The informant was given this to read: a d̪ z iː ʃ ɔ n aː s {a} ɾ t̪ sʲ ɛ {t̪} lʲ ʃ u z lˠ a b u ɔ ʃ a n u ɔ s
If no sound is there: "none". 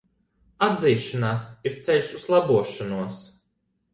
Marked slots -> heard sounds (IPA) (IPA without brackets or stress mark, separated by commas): i, none